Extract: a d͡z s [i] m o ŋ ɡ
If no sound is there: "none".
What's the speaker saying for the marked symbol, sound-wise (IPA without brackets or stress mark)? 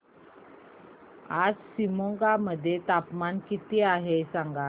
i